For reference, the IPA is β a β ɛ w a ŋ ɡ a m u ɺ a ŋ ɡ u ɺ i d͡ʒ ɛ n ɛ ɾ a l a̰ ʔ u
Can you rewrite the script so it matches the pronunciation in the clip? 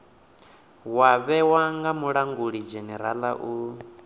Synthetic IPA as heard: w a β ɛ w a ŋ ɡ a m u ɺ a ŋ ɡ u ɺ i d͡ʒ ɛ n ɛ ɾ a l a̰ ʔ u